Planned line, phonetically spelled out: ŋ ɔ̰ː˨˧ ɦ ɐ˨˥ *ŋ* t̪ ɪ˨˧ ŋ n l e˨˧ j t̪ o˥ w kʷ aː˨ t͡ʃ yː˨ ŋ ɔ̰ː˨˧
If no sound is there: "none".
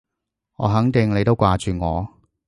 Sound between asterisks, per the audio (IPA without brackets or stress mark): ŋ